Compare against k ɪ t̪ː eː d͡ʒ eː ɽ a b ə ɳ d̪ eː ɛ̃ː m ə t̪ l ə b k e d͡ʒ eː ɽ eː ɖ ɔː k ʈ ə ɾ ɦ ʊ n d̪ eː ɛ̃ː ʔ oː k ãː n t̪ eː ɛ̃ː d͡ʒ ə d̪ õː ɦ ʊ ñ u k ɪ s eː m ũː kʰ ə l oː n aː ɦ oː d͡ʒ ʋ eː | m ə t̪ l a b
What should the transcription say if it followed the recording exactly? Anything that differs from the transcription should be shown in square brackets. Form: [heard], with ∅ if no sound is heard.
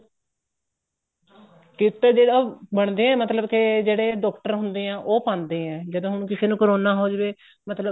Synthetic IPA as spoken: k ɪ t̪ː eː d͡ʒ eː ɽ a b ə ɳ d̪ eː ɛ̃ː m ə t̪ l ə b k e d͡ʒ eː ɽ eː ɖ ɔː k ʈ ə ɾ ɦ ʊ n d̪ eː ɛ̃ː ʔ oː [p] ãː n [d̪] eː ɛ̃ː d͡ʒ ə d̪ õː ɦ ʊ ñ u k ɪ s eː [n] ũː [k] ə [ɾ] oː n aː ɦ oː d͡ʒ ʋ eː | m ə t̪ l [ə] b